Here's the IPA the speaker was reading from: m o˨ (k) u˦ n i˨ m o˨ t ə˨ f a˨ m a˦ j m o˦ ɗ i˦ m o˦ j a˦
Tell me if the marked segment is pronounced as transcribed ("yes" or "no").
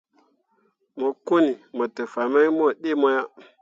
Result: yes